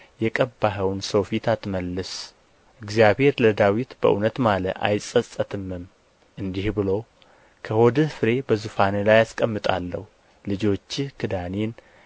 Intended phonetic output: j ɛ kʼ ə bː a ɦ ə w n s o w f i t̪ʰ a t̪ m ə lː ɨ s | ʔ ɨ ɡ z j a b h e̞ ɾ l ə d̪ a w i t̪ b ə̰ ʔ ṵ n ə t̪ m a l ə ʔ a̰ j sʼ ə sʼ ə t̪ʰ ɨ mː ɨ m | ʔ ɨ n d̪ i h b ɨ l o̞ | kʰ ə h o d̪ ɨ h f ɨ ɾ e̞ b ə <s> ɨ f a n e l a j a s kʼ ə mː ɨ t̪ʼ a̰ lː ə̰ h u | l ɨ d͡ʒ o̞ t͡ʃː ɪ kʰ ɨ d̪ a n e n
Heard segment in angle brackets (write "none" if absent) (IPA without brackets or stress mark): z